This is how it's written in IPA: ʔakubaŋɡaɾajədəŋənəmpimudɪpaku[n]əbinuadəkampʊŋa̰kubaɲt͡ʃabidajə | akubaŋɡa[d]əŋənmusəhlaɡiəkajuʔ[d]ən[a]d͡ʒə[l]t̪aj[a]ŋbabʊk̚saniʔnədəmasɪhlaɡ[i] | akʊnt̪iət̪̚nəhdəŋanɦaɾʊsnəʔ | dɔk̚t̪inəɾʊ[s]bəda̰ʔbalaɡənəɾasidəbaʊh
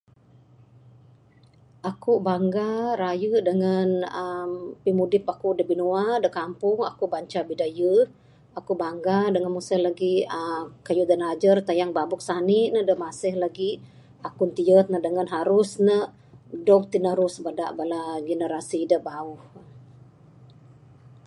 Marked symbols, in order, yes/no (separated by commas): no, yes, yes, yes, no, yes, yes, yes